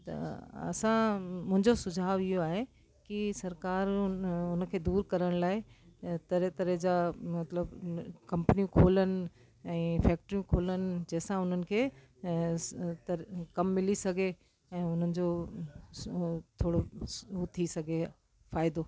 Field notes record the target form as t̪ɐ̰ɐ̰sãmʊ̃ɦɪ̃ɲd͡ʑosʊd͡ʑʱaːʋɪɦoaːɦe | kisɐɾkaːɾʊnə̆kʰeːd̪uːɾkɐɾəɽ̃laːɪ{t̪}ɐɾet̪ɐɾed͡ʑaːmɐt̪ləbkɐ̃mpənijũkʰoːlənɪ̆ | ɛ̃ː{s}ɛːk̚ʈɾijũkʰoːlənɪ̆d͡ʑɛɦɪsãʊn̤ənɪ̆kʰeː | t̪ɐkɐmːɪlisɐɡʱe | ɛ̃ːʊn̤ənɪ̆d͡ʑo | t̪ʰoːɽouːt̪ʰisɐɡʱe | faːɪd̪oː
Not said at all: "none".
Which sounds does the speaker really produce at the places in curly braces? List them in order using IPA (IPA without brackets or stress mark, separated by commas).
t̪, f